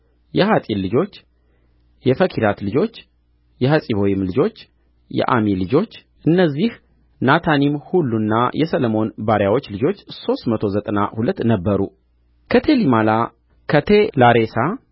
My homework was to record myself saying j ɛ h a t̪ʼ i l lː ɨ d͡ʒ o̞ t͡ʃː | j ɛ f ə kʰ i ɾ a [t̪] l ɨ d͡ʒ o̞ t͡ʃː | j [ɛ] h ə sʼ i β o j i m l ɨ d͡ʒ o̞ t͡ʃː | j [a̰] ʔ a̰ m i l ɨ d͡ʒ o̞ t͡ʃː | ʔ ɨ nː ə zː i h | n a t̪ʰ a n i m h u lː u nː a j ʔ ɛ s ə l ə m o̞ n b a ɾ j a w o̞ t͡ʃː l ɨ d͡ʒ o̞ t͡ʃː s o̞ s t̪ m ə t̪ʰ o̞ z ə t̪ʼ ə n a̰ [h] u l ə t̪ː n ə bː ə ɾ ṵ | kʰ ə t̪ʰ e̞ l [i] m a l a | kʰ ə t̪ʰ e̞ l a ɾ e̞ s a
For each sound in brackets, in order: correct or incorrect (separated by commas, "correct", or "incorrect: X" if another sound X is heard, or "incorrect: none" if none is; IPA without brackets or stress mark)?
correct, correct, incorrect: ɛ̰, correct, correct